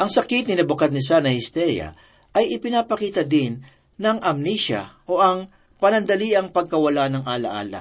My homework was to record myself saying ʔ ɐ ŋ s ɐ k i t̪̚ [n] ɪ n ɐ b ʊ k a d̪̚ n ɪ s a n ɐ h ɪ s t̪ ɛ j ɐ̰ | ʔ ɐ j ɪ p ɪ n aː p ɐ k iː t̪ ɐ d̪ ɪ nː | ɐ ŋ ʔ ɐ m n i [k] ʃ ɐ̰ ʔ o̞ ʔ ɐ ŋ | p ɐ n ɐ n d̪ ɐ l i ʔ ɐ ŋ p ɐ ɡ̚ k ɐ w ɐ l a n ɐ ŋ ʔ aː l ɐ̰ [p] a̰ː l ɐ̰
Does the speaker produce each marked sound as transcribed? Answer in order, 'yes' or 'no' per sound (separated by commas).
yes, no, no